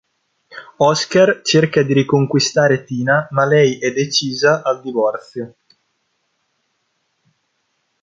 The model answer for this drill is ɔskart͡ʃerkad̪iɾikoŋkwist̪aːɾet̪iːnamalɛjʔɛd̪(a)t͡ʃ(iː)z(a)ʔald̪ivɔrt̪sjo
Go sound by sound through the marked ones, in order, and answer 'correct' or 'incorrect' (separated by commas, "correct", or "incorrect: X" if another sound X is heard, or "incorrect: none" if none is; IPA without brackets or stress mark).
incorrect: e, correct, correct